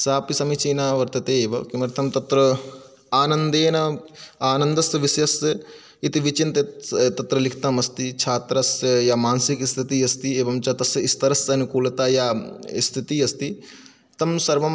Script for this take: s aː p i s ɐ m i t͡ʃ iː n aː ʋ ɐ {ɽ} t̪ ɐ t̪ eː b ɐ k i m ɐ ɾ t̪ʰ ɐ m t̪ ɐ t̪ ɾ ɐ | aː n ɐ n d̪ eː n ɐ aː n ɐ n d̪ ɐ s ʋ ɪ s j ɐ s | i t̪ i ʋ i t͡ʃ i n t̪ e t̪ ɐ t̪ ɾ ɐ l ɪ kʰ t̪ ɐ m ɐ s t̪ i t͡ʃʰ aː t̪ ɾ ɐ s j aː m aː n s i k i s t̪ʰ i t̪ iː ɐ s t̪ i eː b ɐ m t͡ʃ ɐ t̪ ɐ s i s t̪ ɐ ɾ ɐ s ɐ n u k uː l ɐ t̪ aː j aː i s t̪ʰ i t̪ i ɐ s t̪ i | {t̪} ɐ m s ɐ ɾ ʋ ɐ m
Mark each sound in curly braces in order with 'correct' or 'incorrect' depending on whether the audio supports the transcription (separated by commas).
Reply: incorrect, correct